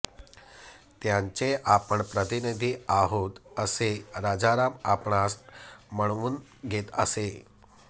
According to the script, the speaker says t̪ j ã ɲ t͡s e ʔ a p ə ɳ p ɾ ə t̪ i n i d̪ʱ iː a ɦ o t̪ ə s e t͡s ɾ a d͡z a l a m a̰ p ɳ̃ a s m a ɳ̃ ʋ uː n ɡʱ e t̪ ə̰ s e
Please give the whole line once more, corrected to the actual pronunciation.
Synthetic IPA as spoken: t̪ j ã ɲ t͡s e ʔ a p ə ɳ p ɾ ə t̪ i n i d̪ʱ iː a ɦ o t̪ ə s e ɾ a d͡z a ɾ a m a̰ p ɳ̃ a s m ə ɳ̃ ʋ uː n ɡʱ e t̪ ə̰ s e